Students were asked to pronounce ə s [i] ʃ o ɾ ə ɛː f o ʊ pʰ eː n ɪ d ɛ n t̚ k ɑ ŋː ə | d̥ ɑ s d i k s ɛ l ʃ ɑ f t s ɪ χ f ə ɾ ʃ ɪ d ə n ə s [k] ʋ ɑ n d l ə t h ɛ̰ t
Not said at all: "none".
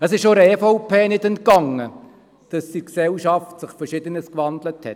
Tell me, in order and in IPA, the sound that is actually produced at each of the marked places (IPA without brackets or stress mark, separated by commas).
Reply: ɪ, k